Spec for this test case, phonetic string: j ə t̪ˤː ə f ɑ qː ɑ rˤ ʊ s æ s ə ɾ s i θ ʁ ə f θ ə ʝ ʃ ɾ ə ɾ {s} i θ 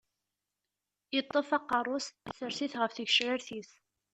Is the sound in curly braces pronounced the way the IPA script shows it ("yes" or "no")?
no